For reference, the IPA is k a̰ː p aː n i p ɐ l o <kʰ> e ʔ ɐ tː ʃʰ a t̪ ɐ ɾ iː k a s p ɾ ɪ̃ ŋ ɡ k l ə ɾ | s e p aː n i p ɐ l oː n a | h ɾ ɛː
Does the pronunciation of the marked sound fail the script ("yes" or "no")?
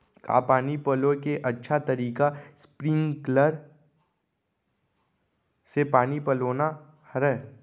yes